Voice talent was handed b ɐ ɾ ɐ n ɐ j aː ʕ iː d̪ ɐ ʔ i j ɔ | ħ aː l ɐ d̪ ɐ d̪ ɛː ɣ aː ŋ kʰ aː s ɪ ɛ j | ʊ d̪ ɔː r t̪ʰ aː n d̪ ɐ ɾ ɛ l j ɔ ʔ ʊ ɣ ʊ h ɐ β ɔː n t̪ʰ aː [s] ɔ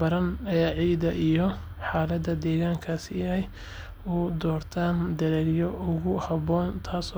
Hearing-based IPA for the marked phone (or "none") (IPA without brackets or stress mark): s